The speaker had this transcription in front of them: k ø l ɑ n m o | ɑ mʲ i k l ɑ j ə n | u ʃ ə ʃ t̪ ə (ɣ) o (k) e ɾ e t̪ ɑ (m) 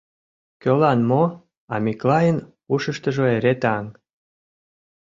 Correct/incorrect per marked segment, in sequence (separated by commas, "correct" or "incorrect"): incorrect, incorrect, incorrect